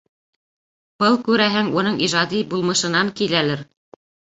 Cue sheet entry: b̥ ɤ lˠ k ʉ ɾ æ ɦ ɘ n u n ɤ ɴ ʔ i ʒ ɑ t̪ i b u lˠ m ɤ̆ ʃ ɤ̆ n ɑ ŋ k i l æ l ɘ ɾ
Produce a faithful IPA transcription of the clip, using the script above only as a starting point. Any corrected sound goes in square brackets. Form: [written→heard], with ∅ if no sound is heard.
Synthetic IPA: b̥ ɤ lˠ k ʉ ɾ æ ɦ ɘ [n→ŋ] u n ɤ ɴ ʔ i ʒ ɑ [t̪→d̪] i b u lˠ m ɤ̆ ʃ ɤ̆ n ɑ ŋ k i l æ l ɘ ɾ